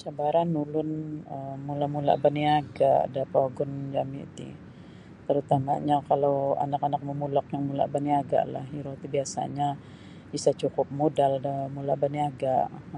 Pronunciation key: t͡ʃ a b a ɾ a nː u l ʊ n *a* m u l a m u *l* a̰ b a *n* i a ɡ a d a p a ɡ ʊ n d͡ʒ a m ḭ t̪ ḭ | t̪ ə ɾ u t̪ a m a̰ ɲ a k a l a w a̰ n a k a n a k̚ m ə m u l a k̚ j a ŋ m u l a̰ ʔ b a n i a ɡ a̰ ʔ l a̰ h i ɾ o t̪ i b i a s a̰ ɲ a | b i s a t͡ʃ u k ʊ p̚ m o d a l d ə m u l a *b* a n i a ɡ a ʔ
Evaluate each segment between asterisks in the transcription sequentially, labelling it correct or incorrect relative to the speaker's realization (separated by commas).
incorrect, correct, correct, correct